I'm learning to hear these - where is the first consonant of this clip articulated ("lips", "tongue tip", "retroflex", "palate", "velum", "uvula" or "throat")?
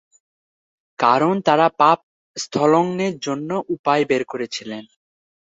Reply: velum